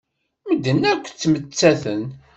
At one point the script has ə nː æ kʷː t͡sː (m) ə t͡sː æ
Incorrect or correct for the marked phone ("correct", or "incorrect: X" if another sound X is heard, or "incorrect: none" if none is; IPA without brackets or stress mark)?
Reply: correct